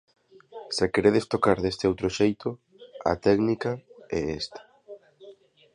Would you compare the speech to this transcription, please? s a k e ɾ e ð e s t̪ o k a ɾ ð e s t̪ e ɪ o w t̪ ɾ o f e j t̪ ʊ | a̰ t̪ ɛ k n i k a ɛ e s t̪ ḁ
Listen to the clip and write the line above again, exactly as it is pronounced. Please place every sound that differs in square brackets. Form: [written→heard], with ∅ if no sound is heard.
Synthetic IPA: s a k e ɾ e ð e s t̪ o k a ɾ ð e s t̪ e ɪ o w t̪ ɾ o [f→ʃ] e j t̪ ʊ | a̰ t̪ ɛ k n i k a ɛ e s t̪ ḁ